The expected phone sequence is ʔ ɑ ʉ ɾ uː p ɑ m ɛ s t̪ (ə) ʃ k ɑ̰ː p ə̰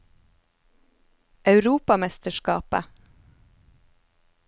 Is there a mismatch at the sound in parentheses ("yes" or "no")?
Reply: no